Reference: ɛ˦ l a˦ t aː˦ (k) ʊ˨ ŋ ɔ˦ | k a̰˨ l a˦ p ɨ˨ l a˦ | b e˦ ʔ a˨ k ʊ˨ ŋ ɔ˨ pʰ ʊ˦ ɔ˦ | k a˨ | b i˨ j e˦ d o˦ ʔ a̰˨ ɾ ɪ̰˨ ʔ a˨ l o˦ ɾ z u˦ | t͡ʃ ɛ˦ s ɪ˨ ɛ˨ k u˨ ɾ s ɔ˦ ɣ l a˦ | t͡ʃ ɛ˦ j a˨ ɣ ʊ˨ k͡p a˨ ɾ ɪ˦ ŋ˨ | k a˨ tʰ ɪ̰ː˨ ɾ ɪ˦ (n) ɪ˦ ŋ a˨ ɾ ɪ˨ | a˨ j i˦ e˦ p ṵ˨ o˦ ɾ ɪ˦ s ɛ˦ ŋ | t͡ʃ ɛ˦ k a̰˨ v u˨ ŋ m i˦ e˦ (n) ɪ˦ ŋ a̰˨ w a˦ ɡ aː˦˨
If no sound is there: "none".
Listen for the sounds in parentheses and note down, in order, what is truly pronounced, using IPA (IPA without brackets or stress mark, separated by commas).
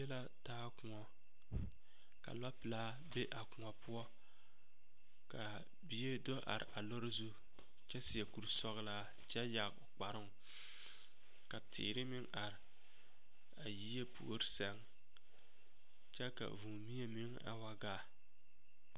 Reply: k, m, m